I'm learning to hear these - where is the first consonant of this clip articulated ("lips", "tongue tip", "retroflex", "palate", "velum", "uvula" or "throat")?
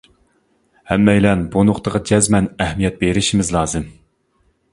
throat